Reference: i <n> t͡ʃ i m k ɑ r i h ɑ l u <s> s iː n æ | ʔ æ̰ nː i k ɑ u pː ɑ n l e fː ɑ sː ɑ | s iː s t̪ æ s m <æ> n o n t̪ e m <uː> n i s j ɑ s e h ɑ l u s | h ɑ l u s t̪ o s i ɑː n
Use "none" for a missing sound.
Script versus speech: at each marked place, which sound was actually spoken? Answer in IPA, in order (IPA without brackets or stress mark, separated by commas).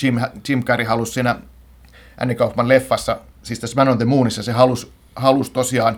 m, s, æ, uː